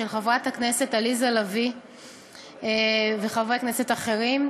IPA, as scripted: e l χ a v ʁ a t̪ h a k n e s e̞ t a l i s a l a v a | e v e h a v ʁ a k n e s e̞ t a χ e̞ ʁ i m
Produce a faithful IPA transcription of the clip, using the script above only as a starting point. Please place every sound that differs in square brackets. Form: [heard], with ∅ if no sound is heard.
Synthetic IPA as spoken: e l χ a v ʁ a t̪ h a k n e s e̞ t a l i [z] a l a v [i] | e v e [χ] a v ʁ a k n e s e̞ t a χ e̞ ʁ i m